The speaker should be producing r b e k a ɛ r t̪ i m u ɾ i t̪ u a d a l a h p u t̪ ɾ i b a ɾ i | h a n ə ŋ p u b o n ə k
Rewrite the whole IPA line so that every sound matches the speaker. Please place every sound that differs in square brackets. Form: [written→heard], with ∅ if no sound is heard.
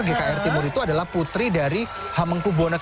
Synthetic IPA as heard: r [b→ɡ] e k a ɛ r t̪ i m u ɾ i t̪ u a d a l a h p u t̪ ɾ i [b→d] a ɾ i | h a [n→m] ə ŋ [p→k] u b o n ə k